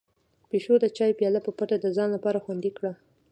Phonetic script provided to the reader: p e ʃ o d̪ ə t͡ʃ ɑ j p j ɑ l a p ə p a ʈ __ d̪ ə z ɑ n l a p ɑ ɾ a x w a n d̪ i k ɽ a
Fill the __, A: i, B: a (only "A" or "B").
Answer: B